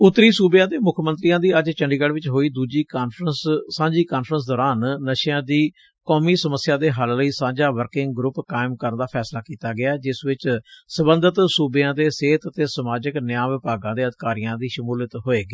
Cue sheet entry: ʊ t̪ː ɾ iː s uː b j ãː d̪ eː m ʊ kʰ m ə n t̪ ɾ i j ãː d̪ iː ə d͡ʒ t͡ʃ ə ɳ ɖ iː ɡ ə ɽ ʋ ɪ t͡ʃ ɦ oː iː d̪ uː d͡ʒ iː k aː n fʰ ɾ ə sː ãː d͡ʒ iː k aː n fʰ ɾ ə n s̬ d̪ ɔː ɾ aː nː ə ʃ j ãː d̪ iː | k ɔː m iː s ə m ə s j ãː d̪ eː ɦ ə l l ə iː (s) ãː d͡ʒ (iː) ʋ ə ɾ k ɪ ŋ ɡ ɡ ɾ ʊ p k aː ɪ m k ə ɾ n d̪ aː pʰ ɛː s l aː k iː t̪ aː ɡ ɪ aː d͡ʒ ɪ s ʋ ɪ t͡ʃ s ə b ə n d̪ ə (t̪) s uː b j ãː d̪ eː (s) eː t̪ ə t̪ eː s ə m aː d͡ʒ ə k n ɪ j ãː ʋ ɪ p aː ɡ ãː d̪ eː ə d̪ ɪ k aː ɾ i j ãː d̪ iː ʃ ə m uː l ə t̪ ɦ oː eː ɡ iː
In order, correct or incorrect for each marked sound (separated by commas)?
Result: correct, incorrect, correct, correct